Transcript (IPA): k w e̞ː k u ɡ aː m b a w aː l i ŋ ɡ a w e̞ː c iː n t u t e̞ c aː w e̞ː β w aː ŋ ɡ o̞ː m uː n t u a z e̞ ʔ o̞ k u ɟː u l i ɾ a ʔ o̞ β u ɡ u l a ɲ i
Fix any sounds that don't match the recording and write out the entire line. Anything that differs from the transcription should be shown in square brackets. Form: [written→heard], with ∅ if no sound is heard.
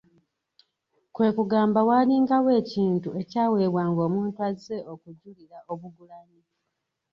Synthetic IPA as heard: k w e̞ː k u ɡ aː m b a w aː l i ŋ ɡ a w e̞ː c iː n t u [t→∅] e̞ c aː w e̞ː β w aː ŋ ɡ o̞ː m uː n t u a z e̞ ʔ o̞ k u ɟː u l i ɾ a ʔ o̞ β u ɡ u l a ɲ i